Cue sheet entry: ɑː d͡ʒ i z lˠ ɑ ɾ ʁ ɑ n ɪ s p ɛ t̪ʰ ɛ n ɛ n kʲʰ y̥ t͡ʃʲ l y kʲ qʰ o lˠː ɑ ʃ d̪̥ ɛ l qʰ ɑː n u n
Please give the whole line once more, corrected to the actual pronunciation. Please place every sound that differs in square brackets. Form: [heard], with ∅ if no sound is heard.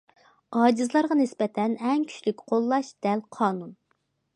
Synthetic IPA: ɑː d͡ʒ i z lˠ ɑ ɾ ʁ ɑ n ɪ s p ɛ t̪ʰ ɛ n ɛ [ŋ] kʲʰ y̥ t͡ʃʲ l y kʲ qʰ o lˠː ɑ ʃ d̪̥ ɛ l qʰ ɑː n u n